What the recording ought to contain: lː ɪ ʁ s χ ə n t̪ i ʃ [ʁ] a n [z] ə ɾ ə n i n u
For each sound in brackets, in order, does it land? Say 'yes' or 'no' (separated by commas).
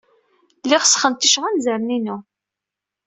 yes, yes